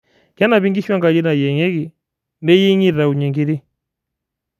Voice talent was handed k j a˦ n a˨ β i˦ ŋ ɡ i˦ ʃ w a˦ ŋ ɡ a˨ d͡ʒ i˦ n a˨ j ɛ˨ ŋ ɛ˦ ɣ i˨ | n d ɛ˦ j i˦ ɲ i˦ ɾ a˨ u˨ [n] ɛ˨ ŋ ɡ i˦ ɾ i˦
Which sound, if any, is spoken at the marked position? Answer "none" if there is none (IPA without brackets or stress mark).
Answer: ɲ